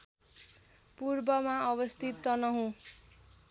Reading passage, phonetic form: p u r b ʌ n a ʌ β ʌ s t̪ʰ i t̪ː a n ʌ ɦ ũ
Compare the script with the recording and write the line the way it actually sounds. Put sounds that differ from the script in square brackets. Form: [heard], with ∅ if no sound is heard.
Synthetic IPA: p u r b ʌ [m] a ʌ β ʌ s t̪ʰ i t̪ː [ʌ] n ʌ ɦ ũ